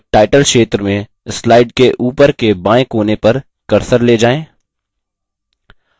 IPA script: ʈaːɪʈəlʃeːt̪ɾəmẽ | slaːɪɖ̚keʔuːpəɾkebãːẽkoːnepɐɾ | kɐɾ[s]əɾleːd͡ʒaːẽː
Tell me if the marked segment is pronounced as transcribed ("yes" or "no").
yes